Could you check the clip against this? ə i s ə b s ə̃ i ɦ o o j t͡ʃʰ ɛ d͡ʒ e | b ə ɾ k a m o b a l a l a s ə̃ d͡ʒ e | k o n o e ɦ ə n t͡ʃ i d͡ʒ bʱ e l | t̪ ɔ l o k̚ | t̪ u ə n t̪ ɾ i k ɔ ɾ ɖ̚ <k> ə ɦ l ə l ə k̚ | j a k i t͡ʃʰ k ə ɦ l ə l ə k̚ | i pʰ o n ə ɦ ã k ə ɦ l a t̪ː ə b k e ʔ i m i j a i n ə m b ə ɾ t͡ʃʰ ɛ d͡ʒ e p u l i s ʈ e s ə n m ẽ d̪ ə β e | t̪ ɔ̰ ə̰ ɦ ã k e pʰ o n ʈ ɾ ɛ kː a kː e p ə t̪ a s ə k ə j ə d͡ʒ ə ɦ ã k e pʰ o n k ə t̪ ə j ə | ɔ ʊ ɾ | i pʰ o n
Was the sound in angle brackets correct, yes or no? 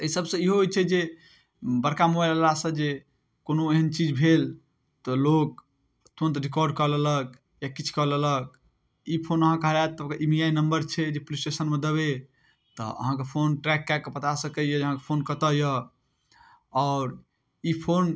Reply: yes